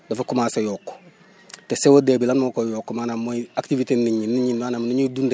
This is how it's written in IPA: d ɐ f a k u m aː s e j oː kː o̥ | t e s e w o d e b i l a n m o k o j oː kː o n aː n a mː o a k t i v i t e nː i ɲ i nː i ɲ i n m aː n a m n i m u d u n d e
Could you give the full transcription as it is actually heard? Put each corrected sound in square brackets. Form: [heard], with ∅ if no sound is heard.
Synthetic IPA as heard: d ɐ f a k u m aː s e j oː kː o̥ | t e s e w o d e b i l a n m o k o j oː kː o [m] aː n a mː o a k t i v i t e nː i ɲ i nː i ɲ i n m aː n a m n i [ɲ] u d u n d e